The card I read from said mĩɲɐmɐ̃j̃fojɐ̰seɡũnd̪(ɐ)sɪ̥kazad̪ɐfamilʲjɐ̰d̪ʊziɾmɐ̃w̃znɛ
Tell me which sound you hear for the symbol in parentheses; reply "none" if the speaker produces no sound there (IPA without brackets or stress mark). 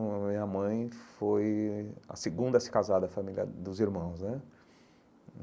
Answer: ɐ